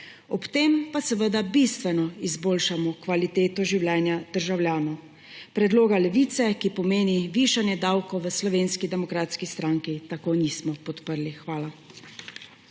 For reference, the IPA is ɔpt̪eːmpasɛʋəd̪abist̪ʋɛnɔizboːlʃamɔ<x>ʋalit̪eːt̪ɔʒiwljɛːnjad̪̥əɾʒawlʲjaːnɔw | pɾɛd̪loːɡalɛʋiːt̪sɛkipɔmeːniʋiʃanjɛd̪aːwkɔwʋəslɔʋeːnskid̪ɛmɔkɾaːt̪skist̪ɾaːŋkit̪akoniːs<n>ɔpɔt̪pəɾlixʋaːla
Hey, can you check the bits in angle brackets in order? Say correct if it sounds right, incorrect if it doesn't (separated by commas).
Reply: incorrect, incorrect